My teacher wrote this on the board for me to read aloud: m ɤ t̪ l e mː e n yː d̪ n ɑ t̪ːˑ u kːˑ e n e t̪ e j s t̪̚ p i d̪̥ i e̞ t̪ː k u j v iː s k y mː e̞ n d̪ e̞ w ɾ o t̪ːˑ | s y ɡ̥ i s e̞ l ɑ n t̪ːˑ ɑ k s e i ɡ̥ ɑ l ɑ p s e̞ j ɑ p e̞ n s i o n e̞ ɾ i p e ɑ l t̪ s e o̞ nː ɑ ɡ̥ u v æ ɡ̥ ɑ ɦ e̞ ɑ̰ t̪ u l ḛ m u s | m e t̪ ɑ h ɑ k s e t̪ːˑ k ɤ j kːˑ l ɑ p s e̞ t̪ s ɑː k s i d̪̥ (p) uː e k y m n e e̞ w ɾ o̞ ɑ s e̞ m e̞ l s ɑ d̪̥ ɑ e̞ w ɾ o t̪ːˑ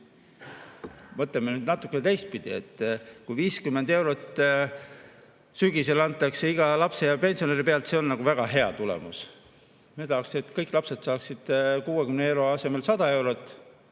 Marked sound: incorrect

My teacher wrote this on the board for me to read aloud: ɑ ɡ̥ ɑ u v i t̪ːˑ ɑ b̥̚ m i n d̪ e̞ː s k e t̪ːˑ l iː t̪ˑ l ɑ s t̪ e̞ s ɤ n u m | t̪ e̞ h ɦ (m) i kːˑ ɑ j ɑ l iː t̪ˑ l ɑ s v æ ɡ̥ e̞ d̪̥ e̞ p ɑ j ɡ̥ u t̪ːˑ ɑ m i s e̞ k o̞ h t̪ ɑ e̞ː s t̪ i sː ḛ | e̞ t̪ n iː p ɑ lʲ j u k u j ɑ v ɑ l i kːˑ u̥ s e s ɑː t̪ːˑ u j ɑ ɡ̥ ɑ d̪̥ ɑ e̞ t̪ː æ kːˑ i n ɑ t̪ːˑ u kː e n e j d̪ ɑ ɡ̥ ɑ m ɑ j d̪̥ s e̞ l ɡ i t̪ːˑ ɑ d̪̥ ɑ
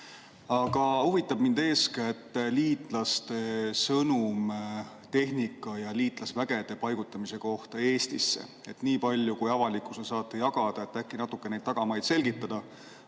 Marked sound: incorrect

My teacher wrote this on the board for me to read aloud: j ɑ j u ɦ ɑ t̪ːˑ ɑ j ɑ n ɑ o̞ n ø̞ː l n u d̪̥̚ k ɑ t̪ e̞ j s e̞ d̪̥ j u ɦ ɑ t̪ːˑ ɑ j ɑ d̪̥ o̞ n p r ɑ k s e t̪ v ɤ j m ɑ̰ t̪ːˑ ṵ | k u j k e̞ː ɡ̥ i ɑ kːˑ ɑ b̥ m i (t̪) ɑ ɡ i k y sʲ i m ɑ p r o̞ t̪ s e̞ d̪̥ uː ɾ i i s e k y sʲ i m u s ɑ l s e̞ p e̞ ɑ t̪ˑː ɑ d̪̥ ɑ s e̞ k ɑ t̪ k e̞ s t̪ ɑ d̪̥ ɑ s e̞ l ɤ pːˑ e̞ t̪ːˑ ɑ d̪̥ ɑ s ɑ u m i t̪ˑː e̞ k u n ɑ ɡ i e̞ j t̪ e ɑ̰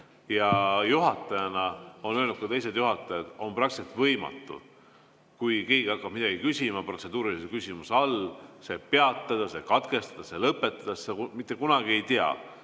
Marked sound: incorrect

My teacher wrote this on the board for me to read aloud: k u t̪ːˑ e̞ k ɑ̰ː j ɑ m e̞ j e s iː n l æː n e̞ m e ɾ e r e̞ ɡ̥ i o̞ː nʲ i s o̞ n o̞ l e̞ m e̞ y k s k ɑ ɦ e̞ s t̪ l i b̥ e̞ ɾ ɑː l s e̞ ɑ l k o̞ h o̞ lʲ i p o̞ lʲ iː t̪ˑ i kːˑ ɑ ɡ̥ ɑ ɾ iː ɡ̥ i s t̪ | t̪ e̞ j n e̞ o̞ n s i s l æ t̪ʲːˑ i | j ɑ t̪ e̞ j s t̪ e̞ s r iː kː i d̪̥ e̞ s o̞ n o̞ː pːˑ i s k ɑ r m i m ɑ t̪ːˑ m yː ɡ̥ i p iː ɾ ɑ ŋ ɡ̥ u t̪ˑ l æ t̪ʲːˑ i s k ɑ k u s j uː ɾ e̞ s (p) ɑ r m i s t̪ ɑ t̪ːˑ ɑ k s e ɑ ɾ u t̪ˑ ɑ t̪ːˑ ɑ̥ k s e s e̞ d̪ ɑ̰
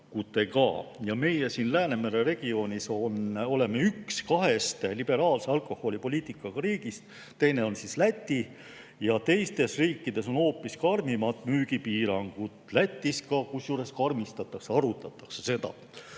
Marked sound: incorrect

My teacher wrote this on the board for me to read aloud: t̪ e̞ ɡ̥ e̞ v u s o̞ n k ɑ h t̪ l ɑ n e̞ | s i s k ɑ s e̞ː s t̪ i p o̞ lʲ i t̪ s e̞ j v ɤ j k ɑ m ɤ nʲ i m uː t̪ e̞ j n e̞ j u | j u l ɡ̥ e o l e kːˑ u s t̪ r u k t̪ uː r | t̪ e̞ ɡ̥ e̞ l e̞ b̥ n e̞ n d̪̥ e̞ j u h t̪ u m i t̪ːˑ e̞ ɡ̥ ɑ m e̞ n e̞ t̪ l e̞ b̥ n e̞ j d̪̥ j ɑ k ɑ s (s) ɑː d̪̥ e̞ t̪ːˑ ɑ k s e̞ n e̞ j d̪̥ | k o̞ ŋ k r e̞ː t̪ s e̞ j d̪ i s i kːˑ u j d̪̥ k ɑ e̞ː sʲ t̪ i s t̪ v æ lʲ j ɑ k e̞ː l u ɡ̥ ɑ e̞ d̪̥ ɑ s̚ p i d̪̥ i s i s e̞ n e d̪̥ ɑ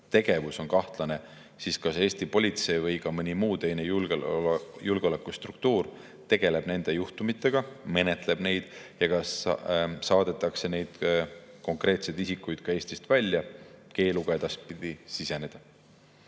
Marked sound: correct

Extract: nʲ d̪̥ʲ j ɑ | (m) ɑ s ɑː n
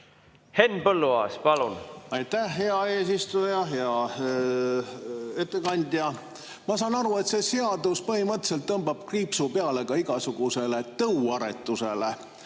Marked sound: correct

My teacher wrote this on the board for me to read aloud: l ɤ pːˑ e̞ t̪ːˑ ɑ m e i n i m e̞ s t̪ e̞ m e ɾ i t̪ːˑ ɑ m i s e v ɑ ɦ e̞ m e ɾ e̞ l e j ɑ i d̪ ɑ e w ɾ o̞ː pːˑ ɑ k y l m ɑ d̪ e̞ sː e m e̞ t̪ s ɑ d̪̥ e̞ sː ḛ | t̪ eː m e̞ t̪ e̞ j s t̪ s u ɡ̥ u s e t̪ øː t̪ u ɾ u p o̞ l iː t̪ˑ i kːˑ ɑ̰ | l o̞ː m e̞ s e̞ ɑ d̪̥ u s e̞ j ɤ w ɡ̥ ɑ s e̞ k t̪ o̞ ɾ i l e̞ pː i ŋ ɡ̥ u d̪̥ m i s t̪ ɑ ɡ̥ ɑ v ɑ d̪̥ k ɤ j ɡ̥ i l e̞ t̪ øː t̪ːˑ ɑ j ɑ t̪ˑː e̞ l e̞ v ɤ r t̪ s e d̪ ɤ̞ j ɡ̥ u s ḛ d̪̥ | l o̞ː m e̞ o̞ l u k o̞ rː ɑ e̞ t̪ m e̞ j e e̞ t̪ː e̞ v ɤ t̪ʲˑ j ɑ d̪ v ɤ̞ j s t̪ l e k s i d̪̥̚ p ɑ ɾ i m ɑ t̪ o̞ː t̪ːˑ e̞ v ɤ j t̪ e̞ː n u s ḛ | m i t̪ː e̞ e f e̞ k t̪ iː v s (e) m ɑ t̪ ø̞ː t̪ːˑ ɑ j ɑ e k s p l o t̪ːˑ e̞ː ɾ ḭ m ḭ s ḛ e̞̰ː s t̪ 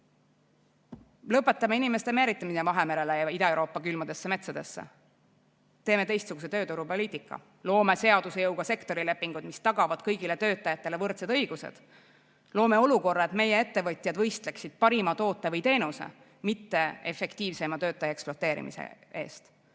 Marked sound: correct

